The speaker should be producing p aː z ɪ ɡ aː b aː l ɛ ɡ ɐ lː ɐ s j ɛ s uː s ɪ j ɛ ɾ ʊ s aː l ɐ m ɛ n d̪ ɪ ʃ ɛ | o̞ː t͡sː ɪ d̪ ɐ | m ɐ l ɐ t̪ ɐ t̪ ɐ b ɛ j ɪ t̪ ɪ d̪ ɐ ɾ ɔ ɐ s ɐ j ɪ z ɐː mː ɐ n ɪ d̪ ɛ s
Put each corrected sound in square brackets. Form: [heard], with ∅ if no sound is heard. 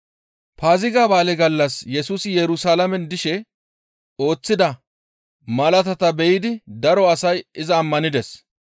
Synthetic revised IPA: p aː z ɪ ɡ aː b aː l ɛ ɡ ɐ lː ɐ s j ɛ s uː s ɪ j ɛ ɾ ʊ s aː l ɐ m ɛ n d̪ ɪ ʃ ɛ | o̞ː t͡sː ɪ d̪ ɐ | m ɐ l ɐ t̪ ɐ t̪ ɐ b ɛ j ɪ [d̪] ɪ d̪ ɐ ɾ ɔ ɐ s ɐ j ɪ z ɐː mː ɐ n ɪ d̪ ɛ s